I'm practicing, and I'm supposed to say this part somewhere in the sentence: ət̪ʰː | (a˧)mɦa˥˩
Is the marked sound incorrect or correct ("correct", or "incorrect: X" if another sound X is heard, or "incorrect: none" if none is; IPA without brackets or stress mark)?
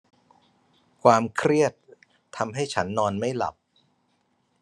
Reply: correct